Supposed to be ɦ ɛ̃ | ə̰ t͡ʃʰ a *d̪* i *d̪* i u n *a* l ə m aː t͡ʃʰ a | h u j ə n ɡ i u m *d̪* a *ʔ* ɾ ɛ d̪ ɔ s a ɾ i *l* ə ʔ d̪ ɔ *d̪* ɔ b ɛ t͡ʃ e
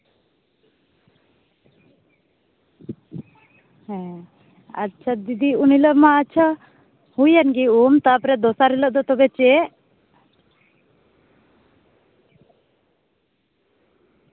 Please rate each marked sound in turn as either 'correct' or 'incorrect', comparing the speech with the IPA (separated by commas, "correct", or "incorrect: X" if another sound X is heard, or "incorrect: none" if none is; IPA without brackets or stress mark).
correct, correct, incorrect: i, incorrect: t̪, incorrect: p, correct, incorrect: t̪